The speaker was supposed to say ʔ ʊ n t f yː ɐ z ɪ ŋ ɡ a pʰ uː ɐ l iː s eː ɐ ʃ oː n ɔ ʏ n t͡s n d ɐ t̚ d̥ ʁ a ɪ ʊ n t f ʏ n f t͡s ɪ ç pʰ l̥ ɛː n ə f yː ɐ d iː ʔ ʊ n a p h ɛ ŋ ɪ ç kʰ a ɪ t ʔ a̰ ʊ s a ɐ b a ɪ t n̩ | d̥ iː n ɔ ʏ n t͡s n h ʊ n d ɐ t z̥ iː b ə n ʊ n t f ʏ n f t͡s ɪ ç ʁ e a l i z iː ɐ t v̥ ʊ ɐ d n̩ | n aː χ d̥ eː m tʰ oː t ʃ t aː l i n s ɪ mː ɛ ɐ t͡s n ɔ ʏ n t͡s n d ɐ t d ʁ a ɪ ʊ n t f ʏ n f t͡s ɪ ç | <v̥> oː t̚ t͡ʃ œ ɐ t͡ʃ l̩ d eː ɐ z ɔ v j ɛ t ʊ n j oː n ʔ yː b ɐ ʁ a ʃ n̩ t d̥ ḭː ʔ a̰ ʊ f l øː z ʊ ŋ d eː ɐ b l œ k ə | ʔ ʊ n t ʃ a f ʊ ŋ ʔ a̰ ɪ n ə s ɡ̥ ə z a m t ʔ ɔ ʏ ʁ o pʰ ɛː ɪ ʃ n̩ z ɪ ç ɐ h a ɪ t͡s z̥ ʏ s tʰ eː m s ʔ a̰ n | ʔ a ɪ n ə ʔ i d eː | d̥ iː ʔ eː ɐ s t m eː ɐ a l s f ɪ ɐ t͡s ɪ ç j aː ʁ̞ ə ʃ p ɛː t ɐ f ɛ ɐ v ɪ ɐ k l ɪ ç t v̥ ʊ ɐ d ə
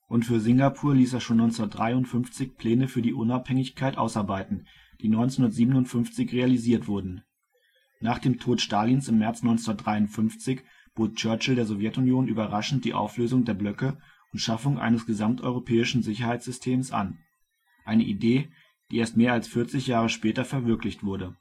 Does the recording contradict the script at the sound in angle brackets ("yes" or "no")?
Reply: yes